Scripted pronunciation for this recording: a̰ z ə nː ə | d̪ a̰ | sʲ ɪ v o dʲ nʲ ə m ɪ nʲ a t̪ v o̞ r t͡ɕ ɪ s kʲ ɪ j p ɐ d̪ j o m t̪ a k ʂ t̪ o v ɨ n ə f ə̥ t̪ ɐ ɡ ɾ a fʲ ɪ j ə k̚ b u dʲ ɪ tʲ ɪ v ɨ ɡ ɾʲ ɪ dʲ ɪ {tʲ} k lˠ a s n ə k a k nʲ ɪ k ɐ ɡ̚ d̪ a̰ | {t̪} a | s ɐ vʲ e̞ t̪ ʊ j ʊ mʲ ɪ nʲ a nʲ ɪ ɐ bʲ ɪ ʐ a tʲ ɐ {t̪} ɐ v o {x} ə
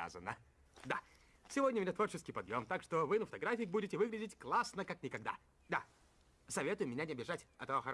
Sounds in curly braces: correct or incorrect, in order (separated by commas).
correct, incorrect, correct, correct